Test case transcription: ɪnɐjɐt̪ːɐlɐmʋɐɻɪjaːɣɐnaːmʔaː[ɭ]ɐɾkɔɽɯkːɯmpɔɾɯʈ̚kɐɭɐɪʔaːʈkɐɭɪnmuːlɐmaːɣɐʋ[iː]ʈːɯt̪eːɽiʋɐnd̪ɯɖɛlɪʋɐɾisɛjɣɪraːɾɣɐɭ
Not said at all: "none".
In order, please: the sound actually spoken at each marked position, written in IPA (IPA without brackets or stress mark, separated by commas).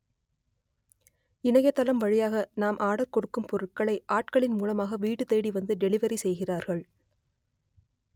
ɽ, iː